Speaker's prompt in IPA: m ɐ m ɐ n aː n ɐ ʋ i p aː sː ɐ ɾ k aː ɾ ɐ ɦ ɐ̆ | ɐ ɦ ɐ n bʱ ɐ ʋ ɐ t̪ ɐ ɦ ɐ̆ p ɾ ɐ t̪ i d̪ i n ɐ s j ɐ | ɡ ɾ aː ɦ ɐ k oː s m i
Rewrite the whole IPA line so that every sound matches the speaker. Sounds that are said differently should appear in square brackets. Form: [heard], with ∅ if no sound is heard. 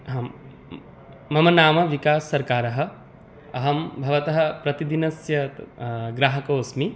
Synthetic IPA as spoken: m ɐ m ɐ n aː [m] ɐ ʋ i [k] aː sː ɐ ɾ k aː ɾ ɐ ɦ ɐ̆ | ɐ ɦ ɐ [m] bʱ ɐ ʋ ɐ t̪ ɐ ɦ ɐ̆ p ɾ ɐ t̪ i d̪ i n ɐ s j ɐ | ɡ ɾ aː ɦ ɐ k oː s m i